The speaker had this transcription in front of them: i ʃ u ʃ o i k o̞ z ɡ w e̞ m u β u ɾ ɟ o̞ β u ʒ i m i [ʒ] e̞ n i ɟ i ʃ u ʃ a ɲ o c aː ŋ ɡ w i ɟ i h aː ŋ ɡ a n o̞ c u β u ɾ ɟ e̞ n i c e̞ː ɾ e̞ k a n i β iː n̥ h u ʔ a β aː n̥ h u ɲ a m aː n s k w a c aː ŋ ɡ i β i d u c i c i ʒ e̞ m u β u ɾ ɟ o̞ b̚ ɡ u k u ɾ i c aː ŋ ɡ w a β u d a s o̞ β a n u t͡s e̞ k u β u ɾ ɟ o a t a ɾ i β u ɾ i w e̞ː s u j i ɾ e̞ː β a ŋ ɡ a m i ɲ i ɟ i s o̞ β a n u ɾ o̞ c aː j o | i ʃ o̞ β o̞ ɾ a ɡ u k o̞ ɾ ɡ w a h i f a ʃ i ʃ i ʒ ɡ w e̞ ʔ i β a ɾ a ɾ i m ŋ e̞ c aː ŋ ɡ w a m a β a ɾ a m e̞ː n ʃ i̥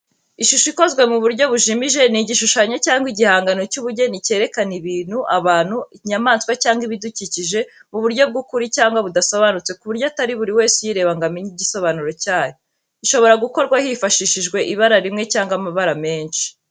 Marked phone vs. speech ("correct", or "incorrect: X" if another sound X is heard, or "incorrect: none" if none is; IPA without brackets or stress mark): correct